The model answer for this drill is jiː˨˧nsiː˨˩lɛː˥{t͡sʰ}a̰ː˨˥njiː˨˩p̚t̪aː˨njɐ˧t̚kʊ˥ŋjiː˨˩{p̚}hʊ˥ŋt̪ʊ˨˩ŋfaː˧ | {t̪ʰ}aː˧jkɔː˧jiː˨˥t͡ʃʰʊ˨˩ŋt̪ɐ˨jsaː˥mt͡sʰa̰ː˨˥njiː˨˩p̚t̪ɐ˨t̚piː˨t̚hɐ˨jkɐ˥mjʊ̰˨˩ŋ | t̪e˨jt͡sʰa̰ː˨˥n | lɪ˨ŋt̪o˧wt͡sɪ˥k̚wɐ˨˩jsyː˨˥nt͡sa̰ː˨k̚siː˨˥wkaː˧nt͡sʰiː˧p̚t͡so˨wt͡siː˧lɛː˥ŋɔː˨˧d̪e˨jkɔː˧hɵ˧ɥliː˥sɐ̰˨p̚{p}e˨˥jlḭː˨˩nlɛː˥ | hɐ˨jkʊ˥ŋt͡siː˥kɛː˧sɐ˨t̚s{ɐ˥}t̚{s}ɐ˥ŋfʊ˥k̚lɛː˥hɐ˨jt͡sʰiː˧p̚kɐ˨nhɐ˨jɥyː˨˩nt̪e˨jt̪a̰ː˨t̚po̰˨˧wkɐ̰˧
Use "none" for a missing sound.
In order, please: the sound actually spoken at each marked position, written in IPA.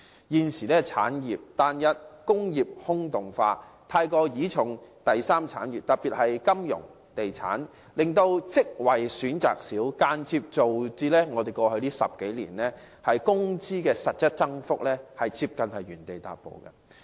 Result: t͡sʰ, p̚, t̪ʰ, k, ɐ˥, t͡s

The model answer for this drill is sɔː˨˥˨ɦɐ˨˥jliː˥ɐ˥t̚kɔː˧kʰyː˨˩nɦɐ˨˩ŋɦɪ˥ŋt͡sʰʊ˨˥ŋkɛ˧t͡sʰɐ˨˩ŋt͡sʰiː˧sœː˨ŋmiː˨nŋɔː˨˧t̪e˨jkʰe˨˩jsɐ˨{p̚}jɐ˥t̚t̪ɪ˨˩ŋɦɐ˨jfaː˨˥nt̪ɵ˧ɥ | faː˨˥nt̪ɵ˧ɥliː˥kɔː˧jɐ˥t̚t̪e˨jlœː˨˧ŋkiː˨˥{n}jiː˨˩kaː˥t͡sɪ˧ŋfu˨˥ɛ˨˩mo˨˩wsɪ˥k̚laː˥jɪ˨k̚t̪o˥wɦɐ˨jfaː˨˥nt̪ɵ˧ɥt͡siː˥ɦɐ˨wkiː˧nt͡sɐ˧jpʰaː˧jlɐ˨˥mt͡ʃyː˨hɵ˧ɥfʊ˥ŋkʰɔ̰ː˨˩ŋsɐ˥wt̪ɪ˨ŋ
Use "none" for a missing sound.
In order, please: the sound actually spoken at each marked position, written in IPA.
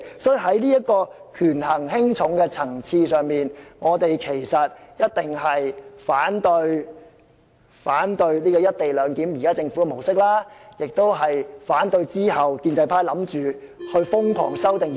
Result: t̚, m

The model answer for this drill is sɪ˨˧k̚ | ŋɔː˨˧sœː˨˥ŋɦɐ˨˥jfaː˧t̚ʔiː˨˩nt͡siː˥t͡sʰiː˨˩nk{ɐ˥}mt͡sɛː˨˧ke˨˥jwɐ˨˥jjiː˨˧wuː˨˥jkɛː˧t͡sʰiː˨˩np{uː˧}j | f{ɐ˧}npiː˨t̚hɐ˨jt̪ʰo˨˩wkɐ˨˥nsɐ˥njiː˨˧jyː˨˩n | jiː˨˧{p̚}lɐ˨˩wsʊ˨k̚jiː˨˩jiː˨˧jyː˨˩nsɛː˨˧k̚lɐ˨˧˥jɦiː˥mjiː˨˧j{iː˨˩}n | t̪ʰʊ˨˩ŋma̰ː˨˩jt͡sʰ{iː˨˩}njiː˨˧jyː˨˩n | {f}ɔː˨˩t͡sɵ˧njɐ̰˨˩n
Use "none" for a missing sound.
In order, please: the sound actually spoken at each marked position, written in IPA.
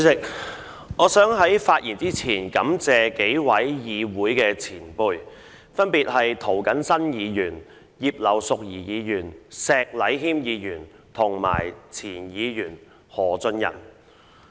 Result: ɐ˨˥, uː˧, ɐ˥, p̚, yː˨˩, iː˨˩, h

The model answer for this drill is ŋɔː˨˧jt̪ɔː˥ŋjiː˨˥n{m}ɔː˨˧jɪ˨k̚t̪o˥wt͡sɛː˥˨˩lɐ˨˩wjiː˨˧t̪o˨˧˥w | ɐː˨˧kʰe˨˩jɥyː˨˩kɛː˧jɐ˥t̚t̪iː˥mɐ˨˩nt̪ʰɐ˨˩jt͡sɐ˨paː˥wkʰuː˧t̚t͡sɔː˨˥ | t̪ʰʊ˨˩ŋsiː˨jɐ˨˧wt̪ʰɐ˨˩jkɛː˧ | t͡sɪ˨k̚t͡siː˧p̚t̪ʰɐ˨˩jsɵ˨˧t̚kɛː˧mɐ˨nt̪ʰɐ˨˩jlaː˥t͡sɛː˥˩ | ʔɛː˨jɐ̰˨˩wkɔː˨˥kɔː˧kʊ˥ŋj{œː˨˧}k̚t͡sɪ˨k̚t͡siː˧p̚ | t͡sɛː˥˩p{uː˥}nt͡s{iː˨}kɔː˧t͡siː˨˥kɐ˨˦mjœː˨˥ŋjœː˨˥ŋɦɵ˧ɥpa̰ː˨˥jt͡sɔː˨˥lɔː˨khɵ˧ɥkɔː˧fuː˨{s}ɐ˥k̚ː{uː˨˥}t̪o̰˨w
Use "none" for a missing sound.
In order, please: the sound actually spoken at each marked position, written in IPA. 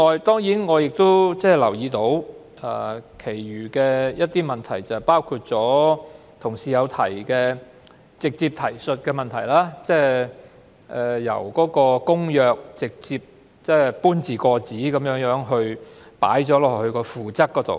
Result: ŋ, œː˨˧, uː˥, iː˨, t͡s, ɔː˨˥

